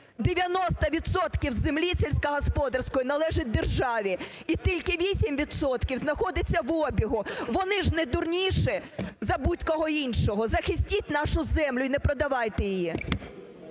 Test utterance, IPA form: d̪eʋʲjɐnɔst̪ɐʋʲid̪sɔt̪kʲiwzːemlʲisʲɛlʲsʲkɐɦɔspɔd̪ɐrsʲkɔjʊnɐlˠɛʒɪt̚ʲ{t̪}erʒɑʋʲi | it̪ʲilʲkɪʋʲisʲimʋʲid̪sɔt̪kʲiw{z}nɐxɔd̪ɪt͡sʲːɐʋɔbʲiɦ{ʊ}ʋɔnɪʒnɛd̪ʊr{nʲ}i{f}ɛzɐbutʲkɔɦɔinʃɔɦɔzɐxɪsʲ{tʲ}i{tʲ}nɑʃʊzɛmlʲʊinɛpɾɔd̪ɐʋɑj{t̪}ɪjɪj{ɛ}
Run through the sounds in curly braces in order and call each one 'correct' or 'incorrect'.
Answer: incorrect, correct, correct, correct, incorrect, correct, correct, correct, incorrect

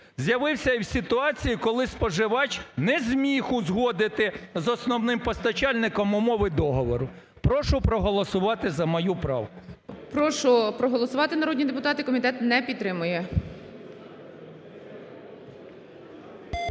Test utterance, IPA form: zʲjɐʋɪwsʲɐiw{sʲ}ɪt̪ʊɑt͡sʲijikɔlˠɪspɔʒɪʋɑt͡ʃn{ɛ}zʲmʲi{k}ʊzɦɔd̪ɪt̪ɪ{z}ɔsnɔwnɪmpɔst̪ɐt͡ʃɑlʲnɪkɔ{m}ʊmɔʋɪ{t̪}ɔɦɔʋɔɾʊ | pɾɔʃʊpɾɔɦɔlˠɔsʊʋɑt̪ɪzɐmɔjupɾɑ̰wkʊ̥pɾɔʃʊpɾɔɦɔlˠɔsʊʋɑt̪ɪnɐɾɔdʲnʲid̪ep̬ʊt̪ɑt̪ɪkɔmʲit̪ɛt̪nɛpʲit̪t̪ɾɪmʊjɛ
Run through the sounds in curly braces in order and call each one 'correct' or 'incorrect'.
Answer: correct, correct, incorrect, correct, correct, incorrect

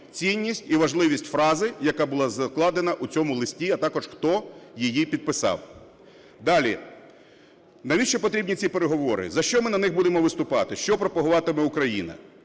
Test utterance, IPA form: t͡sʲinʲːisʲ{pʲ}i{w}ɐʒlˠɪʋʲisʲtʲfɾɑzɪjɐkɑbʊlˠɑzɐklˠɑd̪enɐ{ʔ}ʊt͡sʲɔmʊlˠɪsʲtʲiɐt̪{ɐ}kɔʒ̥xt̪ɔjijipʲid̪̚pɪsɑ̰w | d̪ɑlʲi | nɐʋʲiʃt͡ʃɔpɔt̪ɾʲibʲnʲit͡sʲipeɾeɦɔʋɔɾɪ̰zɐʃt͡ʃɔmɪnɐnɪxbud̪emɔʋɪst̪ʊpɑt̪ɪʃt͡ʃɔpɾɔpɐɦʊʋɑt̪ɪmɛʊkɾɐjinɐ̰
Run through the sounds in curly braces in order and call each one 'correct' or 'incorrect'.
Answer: incorrect, incorrect, correct, incorrect

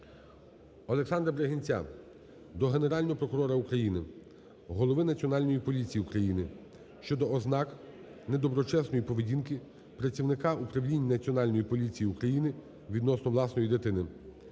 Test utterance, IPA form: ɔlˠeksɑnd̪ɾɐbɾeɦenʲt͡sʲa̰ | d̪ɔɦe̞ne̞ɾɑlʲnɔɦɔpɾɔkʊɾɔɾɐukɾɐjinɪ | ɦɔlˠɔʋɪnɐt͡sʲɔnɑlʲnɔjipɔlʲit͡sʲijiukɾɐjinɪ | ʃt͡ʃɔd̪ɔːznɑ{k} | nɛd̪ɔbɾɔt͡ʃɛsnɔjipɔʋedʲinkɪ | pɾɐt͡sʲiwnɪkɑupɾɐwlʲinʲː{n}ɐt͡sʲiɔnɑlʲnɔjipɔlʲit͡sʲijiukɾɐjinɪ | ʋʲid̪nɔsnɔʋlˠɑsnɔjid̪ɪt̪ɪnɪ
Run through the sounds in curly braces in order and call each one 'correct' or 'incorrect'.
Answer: correct, correct

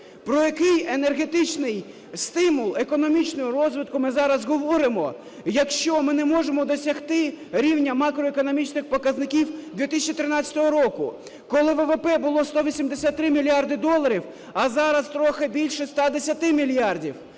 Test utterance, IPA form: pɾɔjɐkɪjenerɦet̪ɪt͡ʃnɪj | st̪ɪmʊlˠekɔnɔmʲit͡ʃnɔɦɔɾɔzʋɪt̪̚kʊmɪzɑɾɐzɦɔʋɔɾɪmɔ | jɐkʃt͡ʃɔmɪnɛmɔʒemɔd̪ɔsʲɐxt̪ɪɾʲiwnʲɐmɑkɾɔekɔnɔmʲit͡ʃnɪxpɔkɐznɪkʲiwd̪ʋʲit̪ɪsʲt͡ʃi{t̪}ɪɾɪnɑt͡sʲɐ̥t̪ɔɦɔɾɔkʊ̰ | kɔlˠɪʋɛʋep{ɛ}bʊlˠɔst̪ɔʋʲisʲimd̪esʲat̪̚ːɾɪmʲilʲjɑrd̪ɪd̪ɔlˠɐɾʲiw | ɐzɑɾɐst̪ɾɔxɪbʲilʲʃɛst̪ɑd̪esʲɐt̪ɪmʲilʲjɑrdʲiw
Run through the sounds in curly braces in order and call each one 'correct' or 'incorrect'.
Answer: correct, correct

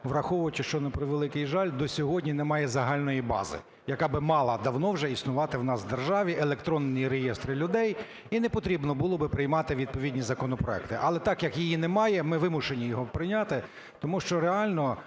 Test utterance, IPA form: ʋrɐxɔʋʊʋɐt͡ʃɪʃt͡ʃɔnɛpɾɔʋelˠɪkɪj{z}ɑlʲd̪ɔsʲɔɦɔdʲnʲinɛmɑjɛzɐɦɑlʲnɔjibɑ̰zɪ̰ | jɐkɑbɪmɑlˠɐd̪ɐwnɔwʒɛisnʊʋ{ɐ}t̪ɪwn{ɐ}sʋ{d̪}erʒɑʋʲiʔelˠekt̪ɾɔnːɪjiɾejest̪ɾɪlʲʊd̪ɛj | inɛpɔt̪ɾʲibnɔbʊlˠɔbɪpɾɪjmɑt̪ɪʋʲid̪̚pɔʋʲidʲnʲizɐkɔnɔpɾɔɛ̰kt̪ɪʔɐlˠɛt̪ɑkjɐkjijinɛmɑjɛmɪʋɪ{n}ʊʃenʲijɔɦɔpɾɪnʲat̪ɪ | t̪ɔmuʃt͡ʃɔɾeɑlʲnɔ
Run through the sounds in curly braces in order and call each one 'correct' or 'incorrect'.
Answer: incorrect, incorrect, incorrect, correct, incorrect

